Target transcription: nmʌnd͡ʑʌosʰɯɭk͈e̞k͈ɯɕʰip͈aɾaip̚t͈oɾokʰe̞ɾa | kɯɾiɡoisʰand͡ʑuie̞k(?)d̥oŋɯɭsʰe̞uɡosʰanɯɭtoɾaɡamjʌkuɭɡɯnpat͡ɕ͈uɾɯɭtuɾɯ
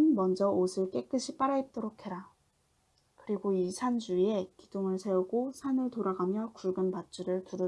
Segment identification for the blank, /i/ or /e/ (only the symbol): i